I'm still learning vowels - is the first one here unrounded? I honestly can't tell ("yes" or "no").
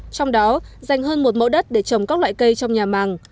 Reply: no